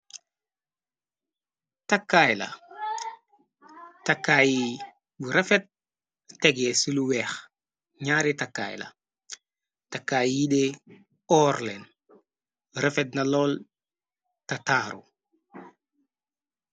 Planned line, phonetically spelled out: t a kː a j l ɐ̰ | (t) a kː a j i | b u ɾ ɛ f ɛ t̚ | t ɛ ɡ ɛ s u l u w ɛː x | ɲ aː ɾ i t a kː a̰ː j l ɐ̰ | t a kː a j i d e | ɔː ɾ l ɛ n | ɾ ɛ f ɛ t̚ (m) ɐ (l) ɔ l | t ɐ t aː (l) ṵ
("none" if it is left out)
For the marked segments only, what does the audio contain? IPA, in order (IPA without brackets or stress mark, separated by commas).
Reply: t, n, l, ɾ